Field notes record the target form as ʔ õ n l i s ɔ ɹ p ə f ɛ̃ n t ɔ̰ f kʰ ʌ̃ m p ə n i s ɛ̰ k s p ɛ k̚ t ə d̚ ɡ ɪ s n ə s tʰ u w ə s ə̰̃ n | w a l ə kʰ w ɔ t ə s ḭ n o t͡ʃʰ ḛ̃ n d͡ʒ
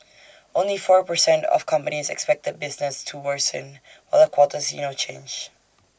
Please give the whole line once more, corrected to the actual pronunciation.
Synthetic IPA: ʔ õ n l i f ɔ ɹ p ə s ɛ̃ n t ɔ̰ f kʰ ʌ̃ m p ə n i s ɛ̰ k s p ɛ k̚ t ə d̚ b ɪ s n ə s tʰ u w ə s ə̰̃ n | w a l ə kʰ w ɔ t ə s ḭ n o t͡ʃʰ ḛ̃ n d͡ʒ